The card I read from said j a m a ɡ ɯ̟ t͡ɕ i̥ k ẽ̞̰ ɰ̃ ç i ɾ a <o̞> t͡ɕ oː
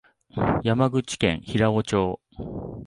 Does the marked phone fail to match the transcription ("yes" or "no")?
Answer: no